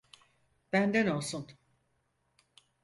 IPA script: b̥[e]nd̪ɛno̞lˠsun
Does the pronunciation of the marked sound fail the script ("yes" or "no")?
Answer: yes